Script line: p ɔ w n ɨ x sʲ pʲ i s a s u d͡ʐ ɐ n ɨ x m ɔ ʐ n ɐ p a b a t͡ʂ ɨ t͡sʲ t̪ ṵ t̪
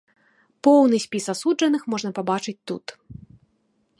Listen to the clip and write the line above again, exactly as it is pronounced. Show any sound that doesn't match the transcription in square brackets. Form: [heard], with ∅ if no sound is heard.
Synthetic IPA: p ɔ w n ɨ [∅] sʲ pʲ i s a s u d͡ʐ ɐ n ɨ x m ɔ ʐ n ɐ p a b a t͡ʂ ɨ t͡sʲ t̪ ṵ t̪